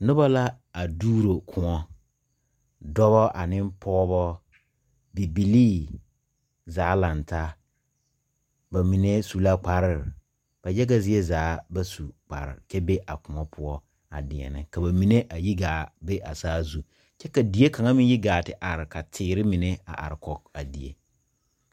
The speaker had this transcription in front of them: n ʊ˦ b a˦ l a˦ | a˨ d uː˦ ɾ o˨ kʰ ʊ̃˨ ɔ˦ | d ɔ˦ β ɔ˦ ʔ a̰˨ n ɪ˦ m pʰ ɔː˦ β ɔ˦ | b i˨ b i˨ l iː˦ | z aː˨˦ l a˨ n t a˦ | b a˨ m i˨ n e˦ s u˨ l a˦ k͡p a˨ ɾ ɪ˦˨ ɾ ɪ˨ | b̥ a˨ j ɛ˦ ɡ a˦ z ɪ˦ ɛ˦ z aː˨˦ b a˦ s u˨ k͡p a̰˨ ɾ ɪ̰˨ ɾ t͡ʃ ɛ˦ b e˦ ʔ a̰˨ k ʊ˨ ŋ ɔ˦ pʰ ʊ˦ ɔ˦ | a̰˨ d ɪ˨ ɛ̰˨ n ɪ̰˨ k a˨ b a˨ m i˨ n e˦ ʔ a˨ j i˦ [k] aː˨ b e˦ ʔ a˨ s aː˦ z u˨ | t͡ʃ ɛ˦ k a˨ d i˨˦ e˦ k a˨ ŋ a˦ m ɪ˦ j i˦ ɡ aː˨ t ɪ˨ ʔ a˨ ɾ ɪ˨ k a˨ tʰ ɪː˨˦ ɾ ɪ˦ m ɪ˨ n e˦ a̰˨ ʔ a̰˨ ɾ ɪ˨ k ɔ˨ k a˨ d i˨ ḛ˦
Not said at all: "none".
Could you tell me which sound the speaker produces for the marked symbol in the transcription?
ɡ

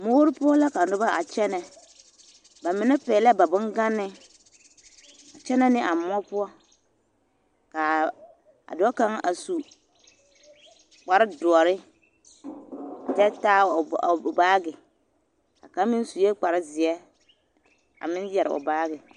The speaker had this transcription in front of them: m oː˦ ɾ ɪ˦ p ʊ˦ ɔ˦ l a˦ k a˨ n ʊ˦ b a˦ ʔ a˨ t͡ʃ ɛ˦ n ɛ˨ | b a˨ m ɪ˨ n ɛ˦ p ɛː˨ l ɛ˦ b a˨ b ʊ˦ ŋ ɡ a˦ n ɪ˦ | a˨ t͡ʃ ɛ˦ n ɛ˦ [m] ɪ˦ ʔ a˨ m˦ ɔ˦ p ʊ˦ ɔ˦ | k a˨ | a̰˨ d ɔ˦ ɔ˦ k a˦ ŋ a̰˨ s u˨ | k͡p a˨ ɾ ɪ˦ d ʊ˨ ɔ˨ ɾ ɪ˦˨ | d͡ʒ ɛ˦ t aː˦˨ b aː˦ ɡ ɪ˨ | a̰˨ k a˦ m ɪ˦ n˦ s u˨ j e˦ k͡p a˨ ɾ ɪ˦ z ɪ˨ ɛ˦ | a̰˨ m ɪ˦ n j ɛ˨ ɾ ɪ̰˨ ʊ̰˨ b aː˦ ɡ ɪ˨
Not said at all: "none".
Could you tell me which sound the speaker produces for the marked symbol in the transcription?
n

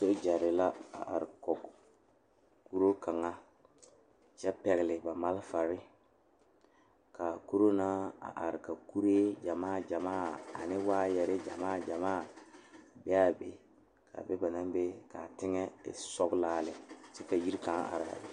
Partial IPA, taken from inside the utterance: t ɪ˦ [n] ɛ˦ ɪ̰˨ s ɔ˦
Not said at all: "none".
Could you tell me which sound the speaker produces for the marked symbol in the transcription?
ŋ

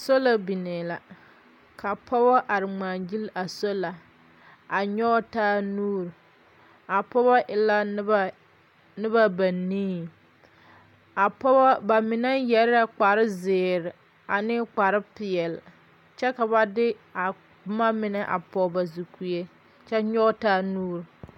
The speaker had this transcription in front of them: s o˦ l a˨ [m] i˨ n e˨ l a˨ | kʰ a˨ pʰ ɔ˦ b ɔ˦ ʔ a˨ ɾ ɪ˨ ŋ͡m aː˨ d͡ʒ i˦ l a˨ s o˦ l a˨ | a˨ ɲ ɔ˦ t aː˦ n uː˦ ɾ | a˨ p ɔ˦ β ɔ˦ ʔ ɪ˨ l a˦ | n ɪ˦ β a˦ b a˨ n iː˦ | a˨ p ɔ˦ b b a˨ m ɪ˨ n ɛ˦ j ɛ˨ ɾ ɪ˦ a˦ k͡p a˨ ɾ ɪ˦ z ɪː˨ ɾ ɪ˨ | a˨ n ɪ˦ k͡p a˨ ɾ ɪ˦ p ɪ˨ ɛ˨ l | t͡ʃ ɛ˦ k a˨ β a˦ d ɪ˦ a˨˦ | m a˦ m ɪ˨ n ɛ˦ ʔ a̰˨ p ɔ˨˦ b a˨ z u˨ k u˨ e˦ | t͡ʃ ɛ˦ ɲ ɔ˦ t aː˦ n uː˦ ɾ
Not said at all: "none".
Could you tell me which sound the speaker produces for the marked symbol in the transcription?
b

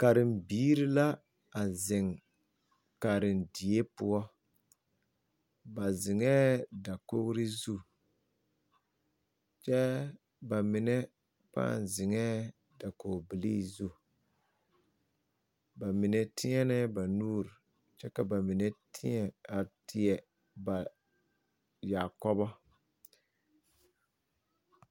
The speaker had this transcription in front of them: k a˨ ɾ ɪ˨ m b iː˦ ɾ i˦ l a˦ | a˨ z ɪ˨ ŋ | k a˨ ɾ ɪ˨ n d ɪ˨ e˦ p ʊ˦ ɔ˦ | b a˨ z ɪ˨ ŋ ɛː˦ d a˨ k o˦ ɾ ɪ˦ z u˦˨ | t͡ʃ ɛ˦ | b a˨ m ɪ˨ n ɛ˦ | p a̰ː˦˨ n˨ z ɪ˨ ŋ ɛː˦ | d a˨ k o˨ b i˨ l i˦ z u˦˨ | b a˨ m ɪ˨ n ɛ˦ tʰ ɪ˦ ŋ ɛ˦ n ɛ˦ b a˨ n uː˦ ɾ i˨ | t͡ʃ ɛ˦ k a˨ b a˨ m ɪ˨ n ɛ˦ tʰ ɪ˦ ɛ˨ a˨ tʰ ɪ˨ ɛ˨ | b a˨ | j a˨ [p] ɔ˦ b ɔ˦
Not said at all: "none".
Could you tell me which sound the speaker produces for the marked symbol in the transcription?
k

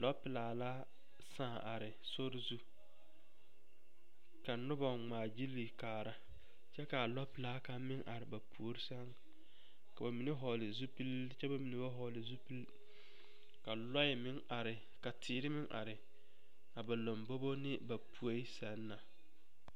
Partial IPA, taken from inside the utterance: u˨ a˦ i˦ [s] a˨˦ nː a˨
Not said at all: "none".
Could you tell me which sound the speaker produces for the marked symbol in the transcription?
s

